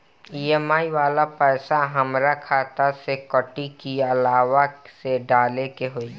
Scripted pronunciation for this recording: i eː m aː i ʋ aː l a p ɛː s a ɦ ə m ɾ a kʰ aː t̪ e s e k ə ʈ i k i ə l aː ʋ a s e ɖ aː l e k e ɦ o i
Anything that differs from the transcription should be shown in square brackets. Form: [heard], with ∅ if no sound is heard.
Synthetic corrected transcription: i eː m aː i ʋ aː l a p ɛː s a ɦ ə m ɾ a kʰ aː t̪ [a] s e k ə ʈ i k i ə l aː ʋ a s e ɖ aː l e k e ɦ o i